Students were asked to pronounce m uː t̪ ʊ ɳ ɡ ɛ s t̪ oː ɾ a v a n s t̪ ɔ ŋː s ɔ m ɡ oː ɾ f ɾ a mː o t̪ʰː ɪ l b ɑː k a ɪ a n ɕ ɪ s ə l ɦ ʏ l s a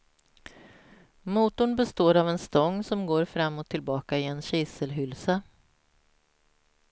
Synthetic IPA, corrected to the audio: m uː t̪ ʊ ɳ b ɛ s t̪ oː ɾ a v ɛ n s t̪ ɔ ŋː s ɔ m ɡ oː ɾ f ɾ a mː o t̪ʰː ɪ l b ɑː k a ɪ ɛ n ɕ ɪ s ə l ɦ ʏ l s a

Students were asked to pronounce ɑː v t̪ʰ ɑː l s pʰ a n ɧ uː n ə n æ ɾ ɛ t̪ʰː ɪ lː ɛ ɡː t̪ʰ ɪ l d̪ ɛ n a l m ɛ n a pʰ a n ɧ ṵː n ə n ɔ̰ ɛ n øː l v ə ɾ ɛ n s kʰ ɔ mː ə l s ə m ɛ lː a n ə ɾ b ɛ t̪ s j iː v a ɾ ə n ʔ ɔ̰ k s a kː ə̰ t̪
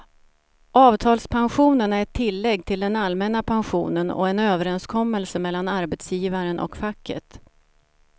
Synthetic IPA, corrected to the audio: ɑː v t̪ʰ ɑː l s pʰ a n ɧ uː n ə n æ ɾ ɛ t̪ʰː ɪ lː ɛ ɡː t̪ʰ ɪ l d̪ ɛ n a l m ɛ n a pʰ a n ɧ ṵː n ə n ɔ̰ ɛ n øː v ə ɾ ɛ n s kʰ ɔ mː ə l s ə m ɛ lː a n a ɾ b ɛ t̪ s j iː v a ɾ ə n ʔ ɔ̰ k f a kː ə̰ t̪

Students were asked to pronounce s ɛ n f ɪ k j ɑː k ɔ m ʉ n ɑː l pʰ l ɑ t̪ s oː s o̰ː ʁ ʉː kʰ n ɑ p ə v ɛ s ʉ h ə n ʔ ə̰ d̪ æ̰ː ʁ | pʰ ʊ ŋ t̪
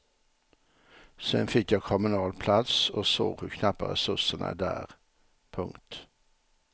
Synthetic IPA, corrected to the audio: s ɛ n f ɪ k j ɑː kʰ ɔ m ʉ n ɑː l pʰ l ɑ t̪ s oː s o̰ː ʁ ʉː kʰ n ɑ p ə ʁ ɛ s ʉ s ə n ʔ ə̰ d̪ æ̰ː ʁ | pʰ ʊ ŋ t̪

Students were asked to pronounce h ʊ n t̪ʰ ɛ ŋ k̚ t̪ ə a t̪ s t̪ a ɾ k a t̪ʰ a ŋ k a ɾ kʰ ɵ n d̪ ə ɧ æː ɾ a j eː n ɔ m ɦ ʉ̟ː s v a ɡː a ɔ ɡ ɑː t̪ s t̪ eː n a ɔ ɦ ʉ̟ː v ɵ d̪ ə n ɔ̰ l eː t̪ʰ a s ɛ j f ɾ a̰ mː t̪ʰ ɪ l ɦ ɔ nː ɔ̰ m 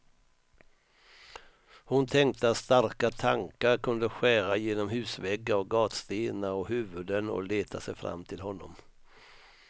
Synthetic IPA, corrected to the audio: h ʊ n t̪ʰ ɛ ŋ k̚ t̪ ə a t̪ s t̪ a ɾ k a t̪ʰ a ŋ k a ɾ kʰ ɵ n d̪ ə ɧ æː ɾ a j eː n ɔ m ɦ ʉ̟ː s v ɛ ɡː a ɔ ɡ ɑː t̪ s t̪ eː n a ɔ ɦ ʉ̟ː v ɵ d̪ ə n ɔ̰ l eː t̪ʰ a s ɛ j f ɾ a̰ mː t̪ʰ ɪ l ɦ ɔ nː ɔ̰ m

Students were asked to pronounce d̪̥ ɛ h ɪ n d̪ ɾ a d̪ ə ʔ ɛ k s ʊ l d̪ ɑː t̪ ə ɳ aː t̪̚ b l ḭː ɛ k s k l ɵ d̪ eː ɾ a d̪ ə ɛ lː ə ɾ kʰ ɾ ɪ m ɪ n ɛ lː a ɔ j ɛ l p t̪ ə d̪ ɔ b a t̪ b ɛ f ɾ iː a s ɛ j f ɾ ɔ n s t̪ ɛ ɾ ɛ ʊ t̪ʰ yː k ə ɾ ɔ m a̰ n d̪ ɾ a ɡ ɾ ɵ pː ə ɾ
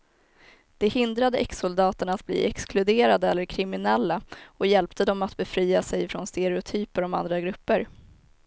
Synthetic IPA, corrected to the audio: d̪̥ ɛ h ɪ n d̪ ɾ a d̪ ə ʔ ɛ k s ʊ l d̪ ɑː t̪ ə ɳ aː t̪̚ b l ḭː ɛ k s k l ɵ d̪ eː ɾ a d̪ ə ɛ lː ə ɾ kʰ ɾ ɪ m ɪ n ɛ lː a ɔ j ɛ l p t̪ ə d̪ ɔ m a t̪ b ɛ f ɾ iː a s ɛ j f ɾ ɔ n s t̪ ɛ ɾ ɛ ʊ t̪ʰ yː p ə ɾ ɔ m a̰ n d̪ ɾ a ɡ ɾ ɵ pː ə ɾ

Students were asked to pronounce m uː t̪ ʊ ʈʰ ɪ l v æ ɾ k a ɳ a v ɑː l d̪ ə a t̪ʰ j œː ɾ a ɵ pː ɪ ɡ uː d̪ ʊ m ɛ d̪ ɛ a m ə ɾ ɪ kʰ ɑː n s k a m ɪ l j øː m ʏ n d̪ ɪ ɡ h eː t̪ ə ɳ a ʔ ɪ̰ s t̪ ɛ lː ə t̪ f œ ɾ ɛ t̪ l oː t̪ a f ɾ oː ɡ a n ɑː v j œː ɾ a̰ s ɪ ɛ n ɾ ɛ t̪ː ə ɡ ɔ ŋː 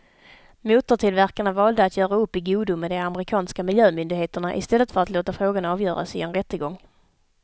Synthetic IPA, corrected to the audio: m uː t̪ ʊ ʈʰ ɪ l v æ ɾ k a ɳ a v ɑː l d̪ ə a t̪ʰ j œː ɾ a ɵ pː ɪ ɡ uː d̪ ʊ m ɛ d̪ ɛ a m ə ɾ ɪ kʰ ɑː n s k a m ɪ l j øː m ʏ n d̪ ɪ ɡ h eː t̪ ə ɳ a ʔ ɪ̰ s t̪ ɛ lː ə t̪ f œ ɾ a t̪ l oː t̪ a f ɾ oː ɡ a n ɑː v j œː ɾ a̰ s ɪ ɛ n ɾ ɛ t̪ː ə ɡ ɔ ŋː

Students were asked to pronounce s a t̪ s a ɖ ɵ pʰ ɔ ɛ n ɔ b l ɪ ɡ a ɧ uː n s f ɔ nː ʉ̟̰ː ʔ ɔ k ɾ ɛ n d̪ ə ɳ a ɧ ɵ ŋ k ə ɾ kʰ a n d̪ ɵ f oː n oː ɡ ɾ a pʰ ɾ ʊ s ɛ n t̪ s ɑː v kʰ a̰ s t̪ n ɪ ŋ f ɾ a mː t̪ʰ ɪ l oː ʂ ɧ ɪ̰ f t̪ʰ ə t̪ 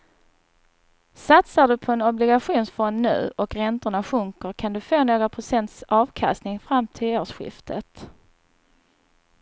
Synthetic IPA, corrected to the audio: s a t̪ s a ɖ ɵ pʰ ɔ ɛ n ɔ b l ɪ ɡ a ɧ uː n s f ɔ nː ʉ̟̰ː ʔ ɔ k ɾ ɛ n t̪ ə ɳ a ɧ ɵ ŋ k ə ɾ kʰ a n d̪ ɵ f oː n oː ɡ ɾ a pʰ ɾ ʊ s ɛ n t̪ s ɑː v kʰ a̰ s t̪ n ɪ ŋ f ɾ a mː t̪ʰ ɪ l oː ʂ ɧ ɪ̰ f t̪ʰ ə t̪

